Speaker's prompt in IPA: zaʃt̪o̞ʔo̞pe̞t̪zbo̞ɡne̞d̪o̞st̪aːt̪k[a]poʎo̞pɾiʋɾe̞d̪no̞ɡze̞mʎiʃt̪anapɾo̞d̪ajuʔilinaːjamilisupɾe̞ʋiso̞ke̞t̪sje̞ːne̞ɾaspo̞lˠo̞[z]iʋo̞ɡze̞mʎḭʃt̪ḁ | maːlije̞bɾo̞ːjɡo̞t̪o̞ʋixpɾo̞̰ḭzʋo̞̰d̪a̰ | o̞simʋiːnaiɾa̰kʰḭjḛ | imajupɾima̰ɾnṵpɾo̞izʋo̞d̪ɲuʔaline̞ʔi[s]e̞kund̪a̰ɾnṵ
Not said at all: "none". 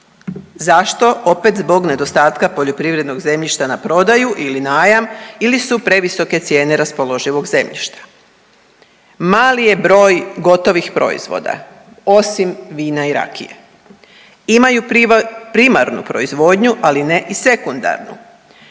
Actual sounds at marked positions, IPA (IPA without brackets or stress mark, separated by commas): a, ʒ, s